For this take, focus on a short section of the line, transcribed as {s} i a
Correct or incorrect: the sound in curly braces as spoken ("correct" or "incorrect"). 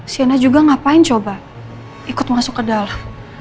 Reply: correct